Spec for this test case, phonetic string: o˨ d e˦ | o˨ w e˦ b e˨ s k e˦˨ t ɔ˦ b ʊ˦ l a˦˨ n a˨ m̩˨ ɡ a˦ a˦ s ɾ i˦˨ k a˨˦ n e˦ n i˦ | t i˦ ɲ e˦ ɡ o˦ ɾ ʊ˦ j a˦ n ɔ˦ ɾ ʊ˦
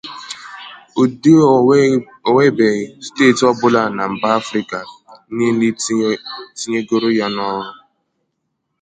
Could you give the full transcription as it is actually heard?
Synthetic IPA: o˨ d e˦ | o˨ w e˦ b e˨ s t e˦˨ t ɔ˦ b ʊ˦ l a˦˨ n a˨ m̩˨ b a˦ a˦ f ɾ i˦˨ k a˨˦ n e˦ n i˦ | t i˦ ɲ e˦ ɡ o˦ ɾ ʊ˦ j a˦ n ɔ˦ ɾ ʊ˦